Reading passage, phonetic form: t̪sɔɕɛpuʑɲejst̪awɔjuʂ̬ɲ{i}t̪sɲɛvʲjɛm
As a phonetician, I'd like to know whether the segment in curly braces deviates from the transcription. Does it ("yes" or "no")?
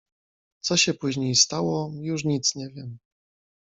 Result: no